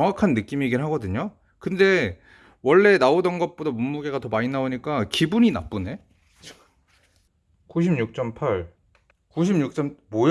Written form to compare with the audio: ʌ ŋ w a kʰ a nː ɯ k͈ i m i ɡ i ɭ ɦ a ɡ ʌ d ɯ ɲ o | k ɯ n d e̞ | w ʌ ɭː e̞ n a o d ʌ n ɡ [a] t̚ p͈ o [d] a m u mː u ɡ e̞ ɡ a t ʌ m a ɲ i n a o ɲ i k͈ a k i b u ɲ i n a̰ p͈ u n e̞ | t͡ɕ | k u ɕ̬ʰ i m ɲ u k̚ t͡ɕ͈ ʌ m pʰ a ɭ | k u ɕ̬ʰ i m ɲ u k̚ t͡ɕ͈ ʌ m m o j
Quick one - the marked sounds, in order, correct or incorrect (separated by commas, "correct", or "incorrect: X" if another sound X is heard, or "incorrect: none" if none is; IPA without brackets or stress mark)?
incorrect: ʌ, correct